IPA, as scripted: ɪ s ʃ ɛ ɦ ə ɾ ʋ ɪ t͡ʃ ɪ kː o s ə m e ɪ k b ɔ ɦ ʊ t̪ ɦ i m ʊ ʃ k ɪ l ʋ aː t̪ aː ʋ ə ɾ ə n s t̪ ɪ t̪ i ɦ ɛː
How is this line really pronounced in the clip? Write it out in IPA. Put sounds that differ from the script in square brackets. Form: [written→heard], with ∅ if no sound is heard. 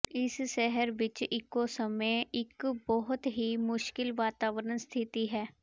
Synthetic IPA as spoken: ɪ s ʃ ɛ ɦ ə ɾ ʋ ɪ t͡ʃ ɪ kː o s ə m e ɪ k b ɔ ɦ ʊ t̪ ɦ i m ʊ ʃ k ɪ l ʋ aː t̪ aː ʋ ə ɾ ə n s [t̪→t̪ʰ] ɪ t̪ i ɦ ɛː